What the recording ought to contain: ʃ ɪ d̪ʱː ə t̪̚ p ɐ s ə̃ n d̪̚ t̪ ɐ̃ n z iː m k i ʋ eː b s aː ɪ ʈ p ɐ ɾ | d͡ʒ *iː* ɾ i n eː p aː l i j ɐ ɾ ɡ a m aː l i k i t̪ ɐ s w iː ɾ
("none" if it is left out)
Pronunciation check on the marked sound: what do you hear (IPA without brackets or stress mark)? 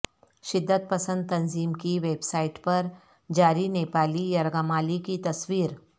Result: aː